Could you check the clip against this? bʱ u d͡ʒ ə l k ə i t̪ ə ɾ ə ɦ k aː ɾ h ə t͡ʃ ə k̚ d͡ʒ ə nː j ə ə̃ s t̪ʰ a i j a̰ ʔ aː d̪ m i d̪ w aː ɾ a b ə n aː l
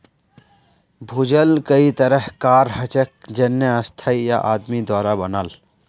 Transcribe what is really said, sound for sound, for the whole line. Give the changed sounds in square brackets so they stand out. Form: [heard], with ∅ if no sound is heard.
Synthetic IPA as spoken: bʱ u d͡ʒ ə l k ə i t̪ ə ɾ ə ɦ k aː ɾ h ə t͡ʃ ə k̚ d͡ʒ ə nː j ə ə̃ s t̪ʰ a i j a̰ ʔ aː d̪ m i d̪ w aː ɾ a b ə n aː l